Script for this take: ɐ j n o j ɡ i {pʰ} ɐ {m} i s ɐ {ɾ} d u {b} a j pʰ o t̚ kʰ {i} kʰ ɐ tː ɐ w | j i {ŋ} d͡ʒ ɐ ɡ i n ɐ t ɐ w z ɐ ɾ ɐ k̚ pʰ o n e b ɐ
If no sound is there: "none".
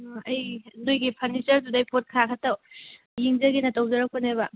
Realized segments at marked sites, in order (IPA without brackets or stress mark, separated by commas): pʰ, n, ɾ, d, a, ŋ